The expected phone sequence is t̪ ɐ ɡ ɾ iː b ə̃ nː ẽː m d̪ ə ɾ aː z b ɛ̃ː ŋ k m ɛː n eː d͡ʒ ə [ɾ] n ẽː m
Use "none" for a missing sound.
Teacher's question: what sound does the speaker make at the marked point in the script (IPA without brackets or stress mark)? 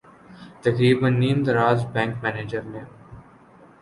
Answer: ɾ